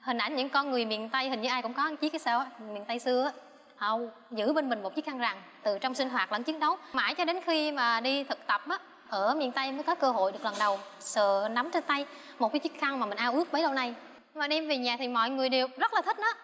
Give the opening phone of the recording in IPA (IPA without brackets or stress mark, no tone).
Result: h